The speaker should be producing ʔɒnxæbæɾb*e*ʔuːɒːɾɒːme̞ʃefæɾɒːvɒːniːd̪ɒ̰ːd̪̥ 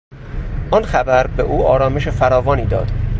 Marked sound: correct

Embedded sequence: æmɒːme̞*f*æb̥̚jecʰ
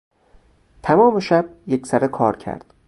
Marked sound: incorrect: ʃ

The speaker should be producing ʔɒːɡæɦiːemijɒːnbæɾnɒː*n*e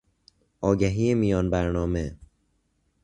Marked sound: incorrect: m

